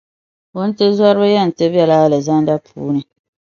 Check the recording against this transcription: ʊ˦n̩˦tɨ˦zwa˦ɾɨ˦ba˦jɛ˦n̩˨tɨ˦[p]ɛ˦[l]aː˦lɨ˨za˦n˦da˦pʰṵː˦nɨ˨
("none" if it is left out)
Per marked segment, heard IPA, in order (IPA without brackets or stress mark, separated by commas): b, l